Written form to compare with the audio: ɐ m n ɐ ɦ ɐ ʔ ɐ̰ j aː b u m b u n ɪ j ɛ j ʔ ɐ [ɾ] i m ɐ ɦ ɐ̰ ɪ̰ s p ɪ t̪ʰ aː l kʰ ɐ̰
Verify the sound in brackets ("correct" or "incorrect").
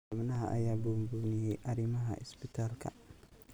correct